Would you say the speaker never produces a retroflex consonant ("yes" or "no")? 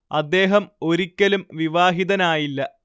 yes